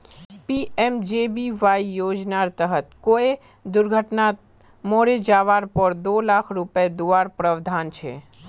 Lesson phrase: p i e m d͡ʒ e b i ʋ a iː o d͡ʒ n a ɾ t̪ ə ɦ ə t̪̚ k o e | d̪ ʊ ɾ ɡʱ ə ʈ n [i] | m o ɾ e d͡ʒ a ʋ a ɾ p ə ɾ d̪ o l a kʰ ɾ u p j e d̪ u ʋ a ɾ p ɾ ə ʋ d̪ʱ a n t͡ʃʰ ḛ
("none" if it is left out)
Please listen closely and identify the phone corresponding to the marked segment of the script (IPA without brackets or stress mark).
a